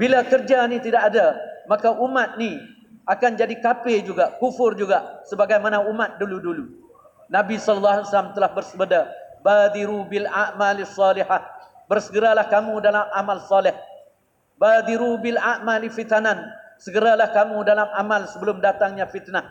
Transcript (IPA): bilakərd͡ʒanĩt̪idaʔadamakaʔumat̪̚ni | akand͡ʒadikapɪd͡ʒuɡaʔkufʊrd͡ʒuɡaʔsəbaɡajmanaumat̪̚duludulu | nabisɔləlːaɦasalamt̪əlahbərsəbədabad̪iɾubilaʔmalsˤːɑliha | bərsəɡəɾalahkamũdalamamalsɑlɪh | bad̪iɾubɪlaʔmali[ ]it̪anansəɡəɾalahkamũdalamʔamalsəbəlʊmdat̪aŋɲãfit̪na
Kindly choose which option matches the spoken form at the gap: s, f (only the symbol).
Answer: f